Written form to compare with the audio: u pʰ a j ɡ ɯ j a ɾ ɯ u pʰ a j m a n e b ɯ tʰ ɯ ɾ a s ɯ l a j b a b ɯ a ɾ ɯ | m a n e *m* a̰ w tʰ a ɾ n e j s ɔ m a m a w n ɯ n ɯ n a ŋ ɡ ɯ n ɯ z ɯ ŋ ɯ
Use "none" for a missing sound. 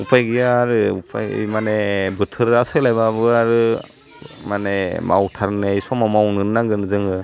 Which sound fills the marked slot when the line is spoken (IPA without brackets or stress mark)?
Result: m